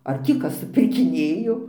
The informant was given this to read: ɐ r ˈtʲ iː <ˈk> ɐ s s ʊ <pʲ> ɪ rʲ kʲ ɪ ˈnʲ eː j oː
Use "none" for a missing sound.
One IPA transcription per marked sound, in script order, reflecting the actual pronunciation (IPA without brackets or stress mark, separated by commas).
k, pʲ